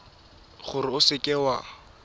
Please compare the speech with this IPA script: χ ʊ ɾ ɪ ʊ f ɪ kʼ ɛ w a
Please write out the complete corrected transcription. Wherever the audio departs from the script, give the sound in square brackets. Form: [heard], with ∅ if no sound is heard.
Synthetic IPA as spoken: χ ʊ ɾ ɪ ʊ [s] ɪ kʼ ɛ w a